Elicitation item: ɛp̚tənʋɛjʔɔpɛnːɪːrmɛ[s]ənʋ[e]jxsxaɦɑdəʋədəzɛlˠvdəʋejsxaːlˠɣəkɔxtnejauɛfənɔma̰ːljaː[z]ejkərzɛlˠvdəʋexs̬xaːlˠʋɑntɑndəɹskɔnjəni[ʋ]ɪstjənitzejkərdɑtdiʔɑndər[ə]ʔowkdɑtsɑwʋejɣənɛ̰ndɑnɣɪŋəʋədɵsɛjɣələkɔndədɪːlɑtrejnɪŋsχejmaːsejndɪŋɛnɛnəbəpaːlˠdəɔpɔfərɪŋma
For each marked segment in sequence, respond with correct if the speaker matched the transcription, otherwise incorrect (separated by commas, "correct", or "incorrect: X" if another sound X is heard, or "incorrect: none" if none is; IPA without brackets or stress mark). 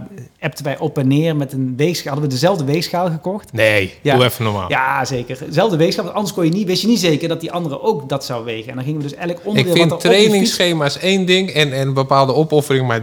incorrect: t, correct, correct, correct, correct